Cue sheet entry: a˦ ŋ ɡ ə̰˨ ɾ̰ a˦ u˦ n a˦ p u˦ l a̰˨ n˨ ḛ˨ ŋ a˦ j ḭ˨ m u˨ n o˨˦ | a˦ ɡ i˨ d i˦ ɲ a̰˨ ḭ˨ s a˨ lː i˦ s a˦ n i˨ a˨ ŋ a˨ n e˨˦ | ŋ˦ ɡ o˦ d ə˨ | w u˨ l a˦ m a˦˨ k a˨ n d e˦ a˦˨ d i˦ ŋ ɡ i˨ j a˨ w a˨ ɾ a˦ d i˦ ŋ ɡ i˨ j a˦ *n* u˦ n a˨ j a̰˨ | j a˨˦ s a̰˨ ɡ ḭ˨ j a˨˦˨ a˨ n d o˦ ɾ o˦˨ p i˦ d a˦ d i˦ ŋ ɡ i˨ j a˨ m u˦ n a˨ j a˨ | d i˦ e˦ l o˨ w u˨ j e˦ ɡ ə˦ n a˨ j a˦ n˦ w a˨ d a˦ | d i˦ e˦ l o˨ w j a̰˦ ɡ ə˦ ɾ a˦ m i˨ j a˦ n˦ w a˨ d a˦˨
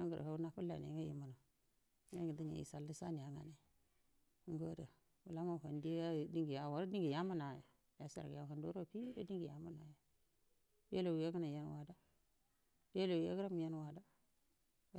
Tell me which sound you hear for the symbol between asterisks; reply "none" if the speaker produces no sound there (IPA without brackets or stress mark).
m